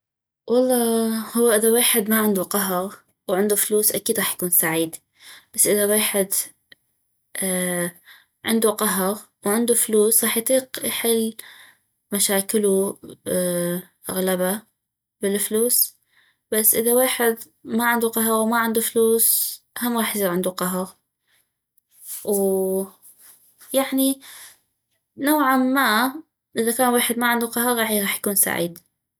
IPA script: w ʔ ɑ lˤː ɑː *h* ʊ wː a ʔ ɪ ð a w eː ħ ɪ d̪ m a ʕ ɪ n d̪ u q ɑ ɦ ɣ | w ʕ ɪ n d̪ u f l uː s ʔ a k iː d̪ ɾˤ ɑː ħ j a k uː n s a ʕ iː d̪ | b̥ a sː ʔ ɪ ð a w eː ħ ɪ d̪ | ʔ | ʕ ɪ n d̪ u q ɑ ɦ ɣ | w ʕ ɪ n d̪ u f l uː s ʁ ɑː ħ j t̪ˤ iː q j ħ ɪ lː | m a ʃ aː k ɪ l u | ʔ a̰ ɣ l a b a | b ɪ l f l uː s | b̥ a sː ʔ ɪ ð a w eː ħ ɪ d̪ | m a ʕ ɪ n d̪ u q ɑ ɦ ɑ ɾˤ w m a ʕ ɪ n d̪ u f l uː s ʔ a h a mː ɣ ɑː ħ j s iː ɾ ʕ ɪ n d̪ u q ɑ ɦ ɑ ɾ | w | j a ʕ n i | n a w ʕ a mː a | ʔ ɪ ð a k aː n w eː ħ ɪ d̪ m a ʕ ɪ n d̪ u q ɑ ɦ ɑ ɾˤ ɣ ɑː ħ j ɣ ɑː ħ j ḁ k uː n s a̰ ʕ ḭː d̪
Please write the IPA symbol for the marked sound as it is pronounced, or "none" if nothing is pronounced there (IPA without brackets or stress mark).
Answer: h